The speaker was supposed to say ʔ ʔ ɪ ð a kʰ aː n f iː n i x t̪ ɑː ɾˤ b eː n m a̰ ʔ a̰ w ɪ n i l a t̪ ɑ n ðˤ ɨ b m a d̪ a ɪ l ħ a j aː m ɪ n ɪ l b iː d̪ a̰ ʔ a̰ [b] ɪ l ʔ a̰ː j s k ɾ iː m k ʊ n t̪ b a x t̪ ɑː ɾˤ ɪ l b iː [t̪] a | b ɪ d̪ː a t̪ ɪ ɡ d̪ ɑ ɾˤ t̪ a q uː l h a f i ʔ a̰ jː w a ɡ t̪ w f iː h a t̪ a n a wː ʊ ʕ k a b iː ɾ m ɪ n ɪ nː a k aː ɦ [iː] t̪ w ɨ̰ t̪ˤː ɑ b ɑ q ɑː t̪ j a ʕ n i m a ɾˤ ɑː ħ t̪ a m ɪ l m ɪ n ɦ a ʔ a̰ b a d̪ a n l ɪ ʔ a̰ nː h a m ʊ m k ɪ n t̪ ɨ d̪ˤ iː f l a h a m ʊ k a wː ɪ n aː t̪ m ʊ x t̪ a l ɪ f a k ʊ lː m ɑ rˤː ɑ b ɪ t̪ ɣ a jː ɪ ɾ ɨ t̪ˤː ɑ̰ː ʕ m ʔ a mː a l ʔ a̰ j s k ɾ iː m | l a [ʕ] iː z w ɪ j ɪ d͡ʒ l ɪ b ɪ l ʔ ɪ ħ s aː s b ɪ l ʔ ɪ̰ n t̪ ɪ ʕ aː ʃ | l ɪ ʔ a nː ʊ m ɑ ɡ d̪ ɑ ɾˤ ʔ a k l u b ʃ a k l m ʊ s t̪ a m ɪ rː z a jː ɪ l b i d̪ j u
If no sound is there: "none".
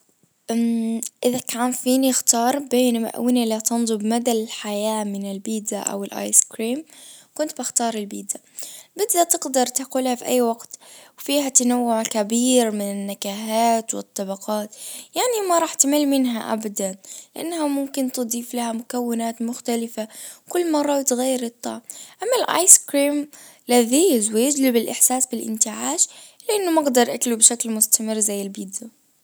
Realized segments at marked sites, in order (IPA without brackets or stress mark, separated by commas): w, d̪, aː, ð